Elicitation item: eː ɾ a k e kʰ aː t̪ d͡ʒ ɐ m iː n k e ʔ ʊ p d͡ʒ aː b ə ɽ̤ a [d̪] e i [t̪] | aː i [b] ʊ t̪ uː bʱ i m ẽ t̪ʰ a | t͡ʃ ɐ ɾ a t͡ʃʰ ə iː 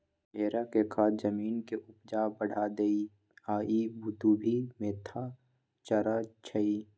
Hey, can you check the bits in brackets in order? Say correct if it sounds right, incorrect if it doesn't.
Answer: correct, incorrect: none, correct

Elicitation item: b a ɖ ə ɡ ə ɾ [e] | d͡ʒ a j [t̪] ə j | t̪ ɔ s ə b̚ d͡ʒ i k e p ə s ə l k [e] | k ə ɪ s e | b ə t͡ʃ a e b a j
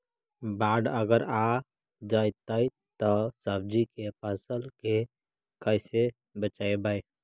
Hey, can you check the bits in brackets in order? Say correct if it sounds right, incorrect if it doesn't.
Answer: incorrect: a, correct, correct

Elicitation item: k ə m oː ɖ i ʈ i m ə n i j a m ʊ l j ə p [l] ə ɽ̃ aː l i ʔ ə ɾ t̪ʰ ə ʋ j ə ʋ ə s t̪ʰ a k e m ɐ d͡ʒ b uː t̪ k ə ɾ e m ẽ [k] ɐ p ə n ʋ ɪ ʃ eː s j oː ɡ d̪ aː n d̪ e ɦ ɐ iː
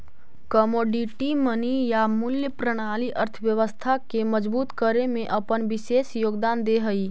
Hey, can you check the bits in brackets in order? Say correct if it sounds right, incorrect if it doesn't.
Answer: incorrect: ɾ, incorrect: ʔ

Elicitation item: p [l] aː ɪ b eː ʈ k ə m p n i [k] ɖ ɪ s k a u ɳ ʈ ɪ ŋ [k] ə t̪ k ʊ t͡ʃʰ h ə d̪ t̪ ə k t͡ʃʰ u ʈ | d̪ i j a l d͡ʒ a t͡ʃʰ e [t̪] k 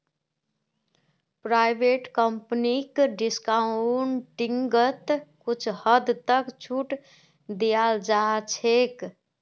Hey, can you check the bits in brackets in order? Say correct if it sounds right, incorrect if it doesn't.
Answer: incorrect: ɾ, correct, incorrect: ɡ, incorrect: none

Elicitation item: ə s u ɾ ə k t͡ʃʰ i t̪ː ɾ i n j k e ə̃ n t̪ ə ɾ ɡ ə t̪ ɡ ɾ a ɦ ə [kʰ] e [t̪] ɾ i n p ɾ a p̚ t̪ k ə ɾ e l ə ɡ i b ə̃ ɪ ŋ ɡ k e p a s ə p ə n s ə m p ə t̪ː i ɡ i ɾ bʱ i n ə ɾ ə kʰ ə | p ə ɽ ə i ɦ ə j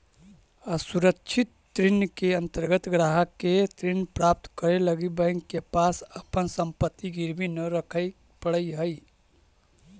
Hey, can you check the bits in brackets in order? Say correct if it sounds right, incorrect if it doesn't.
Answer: incorrect: k, correct

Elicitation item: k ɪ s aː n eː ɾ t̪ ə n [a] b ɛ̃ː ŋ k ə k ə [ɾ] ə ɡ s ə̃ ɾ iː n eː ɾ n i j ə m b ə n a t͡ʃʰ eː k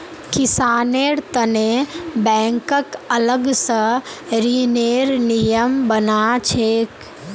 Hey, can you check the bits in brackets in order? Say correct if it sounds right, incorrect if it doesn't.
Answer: incorrect: e, incorrect: l

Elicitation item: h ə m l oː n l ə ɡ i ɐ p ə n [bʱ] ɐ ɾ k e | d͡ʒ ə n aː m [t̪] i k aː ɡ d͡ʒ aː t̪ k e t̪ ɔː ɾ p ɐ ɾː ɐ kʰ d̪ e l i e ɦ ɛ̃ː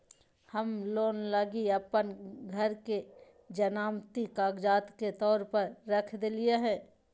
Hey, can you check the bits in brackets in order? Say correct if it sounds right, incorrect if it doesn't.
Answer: incorrect: ɡʱ, correct

